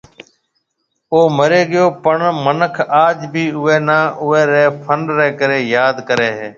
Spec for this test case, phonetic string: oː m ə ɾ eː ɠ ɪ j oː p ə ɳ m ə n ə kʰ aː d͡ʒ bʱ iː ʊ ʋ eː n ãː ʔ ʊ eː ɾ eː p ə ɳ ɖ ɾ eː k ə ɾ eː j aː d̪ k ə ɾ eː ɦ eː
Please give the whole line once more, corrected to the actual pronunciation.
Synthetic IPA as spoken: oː m ə ɾ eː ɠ ɪ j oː p ə ɳ m ə n ə kʰ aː d͡ʒ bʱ iː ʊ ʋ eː n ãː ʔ ʊ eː ɾ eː pʰ ə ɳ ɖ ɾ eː k ə ɾ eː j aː d̪ k ə ɾ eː ɦ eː